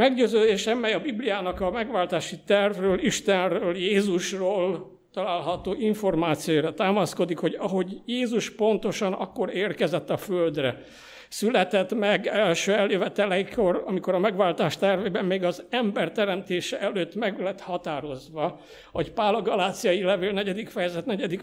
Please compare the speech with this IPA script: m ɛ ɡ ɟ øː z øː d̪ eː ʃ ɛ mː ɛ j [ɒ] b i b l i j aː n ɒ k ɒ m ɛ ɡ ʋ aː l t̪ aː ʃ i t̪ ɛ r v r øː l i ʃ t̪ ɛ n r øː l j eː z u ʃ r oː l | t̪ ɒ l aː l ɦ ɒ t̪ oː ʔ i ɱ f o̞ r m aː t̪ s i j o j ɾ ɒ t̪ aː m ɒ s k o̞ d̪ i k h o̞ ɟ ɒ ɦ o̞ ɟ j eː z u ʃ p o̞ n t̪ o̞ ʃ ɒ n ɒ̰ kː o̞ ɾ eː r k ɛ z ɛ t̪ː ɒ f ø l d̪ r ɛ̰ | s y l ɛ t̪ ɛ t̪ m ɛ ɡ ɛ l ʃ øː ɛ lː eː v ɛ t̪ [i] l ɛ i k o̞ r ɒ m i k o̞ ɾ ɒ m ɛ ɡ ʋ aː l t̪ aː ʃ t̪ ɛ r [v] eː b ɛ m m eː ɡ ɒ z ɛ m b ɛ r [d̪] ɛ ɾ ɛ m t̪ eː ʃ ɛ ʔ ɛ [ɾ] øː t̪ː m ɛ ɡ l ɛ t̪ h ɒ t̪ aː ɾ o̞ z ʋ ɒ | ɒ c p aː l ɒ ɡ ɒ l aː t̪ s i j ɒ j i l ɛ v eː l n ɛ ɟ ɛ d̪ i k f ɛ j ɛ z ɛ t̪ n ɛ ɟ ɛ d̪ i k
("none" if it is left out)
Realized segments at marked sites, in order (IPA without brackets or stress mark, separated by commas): ɒ, ɛ, v, t̪, l